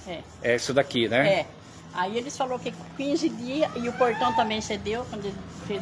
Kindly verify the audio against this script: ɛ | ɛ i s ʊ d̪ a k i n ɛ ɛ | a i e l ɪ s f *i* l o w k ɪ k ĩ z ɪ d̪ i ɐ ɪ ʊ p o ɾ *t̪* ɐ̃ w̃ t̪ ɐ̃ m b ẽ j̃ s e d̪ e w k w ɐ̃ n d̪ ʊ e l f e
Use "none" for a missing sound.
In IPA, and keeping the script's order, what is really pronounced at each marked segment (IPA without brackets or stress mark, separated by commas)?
a, t̪